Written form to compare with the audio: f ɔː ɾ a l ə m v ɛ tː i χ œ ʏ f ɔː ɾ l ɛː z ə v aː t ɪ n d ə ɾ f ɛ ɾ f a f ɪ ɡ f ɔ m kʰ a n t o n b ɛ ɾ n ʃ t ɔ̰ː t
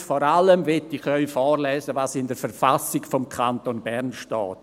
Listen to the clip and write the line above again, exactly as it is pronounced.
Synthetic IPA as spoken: f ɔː ɾ a l ə m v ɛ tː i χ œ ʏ f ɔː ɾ l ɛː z ə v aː s ɪ n d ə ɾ f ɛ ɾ f a s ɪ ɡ f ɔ m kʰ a n t o n b ɛ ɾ n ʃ t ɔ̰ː t